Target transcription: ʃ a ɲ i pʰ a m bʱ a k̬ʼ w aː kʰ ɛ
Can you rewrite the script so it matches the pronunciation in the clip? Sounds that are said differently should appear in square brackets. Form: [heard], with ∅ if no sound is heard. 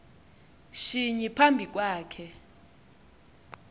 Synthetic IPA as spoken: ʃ [i] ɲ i pʰ a m bʱ [i] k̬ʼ w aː kʰ ɛ